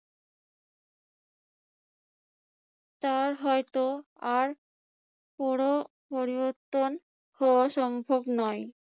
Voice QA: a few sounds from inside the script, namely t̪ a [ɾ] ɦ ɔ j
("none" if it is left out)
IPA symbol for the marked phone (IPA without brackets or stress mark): ɾ